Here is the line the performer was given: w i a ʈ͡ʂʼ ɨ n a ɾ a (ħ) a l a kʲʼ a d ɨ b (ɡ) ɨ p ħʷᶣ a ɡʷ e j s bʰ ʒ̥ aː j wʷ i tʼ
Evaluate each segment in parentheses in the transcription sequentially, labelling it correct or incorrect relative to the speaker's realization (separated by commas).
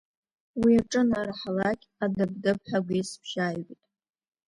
correct, incorrect